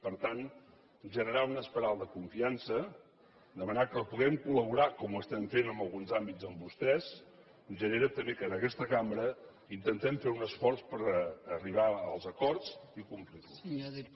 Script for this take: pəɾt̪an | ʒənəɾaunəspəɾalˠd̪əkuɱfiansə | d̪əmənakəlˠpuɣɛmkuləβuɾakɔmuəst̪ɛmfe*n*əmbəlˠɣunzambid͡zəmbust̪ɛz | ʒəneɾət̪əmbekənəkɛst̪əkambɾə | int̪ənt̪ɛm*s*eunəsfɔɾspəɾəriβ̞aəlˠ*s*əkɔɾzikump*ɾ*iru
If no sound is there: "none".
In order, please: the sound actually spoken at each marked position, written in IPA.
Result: n, f, z, l

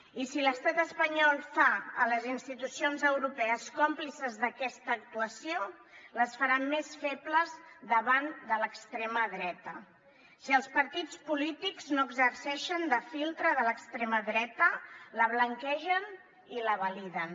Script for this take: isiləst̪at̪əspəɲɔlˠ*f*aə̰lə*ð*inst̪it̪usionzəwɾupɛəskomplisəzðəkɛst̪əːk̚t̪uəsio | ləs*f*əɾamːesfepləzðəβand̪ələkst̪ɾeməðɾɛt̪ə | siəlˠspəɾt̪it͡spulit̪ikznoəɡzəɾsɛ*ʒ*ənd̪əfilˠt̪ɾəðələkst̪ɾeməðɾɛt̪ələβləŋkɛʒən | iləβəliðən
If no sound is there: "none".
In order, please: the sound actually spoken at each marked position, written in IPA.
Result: f, z, f, ʃ

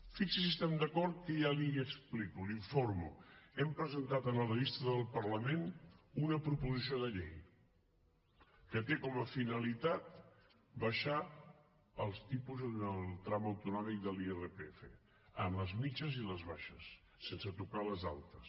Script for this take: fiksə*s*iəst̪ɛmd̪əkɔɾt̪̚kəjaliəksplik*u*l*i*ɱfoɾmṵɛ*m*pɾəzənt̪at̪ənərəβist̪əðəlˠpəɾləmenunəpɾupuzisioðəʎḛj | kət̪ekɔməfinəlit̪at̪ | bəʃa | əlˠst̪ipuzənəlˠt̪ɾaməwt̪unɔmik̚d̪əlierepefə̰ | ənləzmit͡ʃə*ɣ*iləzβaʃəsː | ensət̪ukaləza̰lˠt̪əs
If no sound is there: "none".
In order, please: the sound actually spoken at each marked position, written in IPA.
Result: s, u, i, m, z

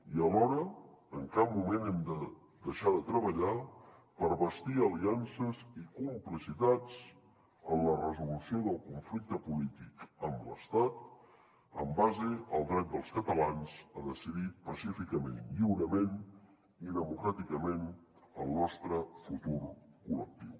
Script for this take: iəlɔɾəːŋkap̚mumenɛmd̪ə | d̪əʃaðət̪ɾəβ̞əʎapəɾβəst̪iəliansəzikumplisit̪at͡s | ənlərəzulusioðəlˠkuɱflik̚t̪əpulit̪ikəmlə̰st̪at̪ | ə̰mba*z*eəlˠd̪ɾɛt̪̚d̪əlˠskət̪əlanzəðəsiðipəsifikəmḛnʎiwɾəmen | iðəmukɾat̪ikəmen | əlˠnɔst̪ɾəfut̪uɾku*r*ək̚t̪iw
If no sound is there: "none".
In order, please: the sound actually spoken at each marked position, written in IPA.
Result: z, l

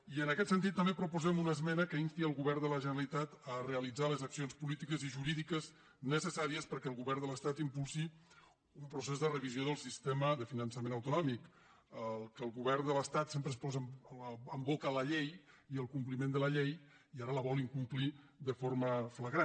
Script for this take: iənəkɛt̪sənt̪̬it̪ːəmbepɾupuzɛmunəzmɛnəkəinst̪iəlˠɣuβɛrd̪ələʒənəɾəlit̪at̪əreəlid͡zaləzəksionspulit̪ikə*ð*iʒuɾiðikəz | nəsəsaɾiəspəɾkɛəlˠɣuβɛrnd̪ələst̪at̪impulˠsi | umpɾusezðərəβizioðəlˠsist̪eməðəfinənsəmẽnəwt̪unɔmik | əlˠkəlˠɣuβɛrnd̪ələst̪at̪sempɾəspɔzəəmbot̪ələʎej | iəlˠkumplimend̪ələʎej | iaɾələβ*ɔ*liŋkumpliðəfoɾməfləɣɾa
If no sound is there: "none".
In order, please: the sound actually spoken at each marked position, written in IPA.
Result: z, ɔ

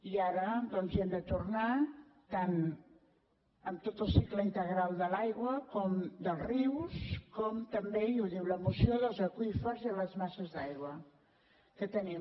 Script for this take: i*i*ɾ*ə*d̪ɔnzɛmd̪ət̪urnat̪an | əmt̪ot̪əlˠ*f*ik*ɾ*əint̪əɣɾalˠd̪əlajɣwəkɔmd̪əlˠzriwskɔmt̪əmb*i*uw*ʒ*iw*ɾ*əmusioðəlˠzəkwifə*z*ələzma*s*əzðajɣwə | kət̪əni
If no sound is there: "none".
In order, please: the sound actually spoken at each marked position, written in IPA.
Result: a, ə, s, l, e, ð, l, z, s

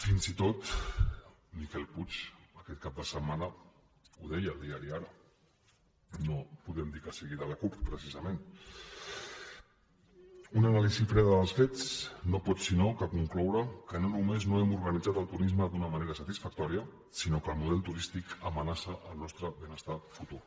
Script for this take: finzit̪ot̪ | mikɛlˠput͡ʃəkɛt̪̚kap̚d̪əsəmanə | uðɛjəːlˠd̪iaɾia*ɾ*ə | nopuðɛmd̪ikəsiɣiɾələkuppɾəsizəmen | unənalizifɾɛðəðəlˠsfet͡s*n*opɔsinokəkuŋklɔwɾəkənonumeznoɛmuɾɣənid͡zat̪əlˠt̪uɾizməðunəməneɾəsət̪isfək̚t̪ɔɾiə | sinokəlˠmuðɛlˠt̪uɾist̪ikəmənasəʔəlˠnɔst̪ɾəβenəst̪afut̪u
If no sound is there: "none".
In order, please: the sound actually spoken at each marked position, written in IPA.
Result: ɾ, n

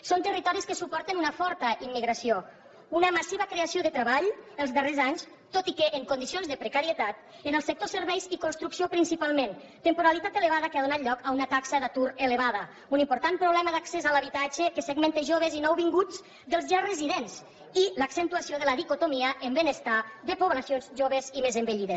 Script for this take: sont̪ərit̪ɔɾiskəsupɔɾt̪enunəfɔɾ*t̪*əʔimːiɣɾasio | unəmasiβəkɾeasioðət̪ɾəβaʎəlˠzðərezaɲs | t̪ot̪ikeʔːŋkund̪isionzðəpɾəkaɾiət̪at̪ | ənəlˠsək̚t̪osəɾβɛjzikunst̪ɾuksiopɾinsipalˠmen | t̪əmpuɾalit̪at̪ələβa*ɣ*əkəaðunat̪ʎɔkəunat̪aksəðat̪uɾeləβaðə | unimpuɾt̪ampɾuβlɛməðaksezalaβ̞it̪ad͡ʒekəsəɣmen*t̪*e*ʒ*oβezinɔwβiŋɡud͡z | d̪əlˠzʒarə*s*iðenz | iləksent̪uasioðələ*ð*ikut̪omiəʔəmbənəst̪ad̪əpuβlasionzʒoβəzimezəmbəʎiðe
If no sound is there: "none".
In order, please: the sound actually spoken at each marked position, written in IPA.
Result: t̪, ð, t̪, ʒ, z, ð

